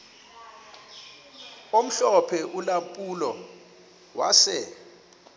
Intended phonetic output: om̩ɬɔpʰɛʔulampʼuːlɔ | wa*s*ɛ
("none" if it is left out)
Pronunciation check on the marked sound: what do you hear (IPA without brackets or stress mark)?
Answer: s